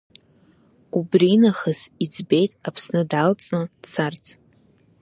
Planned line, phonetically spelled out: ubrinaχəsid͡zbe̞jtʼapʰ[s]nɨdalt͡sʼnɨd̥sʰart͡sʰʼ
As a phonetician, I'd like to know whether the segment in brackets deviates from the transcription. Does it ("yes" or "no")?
no